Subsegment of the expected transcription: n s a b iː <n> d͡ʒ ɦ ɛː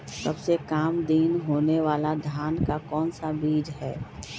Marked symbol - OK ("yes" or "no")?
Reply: no